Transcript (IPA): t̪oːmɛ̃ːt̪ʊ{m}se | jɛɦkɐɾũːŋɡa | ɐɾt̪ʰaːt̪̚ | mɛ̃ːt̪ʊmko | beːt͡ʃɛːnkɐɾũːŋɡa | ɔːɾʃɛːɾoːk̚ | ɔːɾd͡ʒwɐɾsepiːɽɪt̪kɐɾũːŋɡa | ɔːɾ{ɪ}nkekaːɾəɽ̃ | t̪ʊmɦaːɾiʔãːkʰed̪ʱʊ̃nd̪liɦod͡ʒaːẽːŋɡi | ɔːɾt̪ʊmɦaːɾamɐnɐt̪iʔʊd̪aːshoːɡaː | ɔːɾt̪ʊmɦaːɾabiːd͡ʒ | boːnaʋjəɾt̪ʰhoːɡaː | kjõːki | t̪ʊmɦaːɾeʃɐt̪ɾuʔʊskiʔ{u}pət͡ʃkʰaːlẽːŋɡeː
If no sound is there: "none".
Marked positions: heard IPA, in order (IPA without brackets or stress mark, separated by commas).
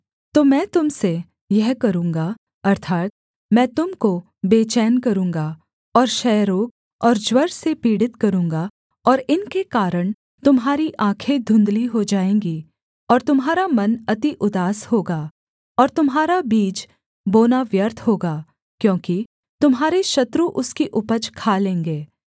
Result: m, ɪ, ʊ